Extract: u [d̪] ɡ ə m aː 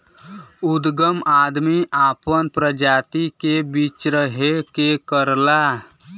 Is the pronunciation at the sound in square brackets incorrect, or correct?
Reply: correct